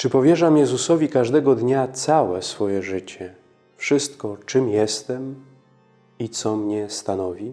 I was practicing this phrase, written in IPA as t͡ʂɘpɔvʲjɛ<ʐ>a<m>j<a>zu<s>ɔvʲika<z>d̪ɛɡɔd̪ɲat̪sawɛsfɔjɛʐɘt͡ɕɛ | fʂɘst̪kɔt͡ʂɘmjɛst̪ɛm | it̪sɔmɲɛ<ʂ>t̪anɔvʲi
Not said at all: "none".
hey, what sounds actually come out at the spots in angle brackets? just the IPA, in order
ʐ, m, ɛ, s, ʐ, s

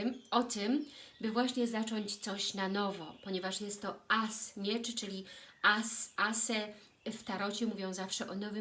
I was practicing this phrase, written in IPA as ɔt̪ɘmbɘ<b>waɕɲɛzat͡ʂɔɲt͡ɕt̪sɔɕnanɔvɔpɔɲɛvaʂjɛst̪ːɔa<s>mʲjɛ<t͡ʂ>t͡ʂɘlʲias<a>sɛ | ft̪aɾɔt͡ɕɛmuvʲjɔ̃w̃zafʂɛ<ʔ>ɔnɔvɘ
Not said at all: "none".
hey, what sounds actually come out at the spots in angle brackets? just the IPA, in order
v, s, t͡ʂ, a, ʔ

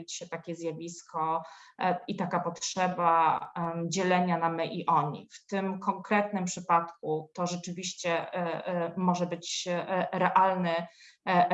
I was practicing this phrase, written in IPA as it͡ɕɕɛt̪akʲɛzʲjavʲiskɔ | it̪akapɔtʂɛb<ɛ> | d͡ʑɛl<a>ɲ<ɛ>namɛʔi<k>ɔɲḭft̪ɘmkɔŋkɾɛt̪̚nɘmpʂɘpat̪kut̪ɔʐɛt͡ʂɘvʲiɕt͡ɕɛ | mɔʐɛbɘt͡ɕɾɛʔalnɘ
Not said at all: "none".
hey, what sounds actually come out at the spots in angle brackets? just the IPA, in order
a, ɛ, a, ʔ

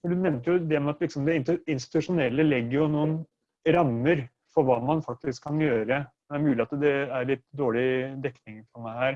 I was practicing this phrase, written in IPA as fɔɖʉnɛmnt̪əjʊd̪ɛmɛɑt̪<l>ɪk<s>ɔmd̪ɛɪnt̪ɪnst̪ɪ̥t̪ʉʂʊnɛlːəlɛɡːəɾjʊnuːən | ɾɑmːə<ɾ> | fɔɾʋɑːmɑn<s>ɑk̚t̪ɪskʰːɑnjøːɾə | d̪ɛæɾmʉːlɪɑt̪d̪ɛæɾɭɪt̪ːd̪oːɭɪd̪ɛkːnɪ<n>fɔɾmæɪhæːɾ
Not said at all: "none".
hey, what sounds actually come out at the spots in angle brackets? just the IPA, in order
l, s, ɾ, f, ŋ

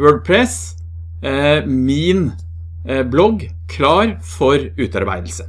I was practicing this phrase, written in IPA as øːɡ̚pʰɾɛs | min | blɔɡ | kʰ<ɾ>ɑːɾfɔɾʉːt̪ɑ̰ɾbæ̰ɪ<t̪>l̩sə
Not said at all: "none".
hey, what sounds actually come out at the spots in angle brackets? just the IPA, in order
l, d̪

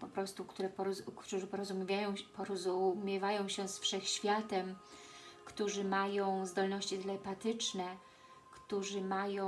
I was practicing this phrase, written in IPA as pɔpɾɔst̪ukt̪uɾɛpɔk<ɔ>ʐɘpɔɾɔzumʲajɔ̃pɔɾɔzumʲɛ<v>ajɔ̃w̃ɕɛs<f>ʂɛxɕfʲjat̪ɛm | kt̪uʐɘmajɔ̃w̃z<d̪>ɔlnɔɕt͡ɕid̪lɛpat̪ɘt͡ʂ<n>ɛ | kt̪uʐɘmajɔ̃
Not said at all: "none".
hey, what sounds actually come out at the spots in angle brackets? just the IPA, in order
u, v, f, d̪, n

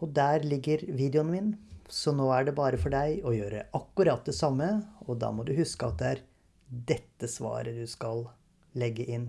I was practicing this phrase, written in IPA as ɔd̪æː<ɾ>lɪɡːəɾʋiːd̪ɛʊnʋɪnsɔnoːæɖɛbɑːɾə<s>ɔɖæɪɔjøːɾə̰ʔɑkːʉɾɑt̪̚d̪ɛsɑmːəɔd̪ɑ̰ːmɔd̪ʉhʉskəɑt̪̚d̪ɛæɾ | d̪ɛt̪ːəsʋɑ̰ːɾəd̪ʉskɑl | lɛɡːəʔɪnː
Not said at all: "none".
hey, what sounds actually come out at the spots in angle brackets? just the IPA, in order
ɾ, f

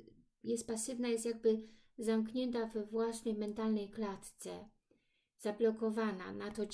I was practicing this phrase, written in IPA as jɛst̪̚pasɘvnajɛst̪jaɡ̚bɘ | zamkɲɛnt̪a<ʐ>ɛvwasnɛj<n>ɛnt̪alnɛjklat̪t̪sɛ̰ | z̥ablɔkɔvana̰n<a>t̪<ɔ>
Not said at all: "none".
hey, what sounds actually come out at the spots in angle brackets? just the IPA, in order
v, m, a, ɔ

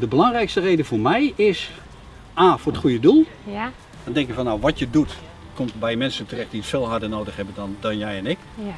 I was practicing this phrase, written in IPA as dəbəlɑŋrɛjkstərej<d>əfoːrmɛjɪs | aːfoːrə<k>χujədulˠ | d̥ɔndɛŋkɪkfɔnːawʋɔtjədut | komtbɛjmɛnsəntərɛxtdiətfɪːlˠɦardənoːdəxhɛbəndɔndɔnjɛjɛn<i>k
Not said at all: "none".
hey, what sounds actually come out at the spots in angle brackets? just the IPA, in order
d, t, ɪ

